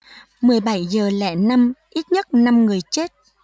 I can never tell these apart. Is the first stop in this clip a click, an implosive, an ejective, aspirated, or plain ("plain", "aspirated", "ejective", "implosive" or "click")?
implosive